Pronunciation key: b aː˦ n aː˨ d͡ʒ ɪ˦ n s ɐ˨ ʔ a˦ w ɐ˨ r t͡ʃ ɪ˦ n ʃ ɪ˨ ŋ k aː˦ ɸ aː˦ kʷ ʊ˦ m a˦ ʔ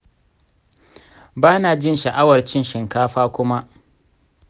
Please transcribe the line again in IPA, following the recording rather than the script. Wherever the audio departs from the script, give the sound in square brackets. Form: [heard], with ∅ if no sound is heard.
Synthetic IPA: b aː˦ n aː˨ d͡ʒ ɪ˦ n [ʃ] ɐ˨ ʔ a˦ w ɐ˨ r t͡ʃ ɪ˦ n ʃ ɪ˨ ŋ k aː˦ ɸ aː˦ kʷ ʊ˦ m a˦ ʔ